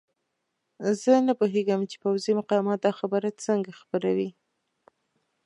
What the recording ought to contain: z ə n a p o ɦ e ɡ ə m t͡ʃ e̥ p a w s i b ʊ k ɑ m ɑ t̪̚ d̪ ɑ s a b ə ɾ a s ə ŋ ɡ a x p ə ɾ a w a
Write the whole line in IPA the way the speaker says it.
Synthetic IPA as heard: z ə n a p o ɦ e ɡ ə m t͡ʃ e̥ p a w z i m ʊ q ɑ m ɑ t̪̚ d̪ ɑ x a b ə ɾ a t͡s ə ŋ ɡ a x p ə ɾ a w i